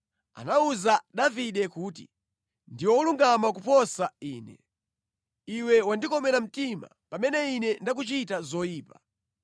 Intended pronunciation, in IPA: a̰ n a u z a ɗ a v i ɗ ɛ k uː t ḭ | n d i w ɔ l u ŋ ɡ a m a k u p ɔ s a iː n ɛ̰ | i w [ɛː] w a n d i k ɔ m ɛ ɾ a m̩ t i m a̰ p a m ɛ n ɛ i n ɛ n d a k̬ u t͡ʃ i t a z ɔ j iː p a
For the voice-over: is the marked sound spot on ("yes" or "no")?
no